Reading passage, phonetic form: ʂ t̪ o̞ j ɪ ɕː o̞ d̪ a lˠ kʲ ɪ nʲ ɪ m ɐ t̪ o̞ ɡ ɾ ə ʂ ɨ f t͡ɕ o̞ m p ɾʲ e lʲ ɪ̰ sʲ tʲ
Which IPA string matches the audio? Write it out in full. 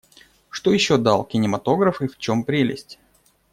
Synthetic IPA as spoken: ʂ t̪ o̞ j ɪ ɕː o̞ d̪ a lˠ kʲ ɪ nʲ ɪ m ɐ t̪ o̞ ɡ ɾ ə f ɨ f t͡ɕ o̞ m p ɾʲ e lʲ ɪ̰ sʲ tʲ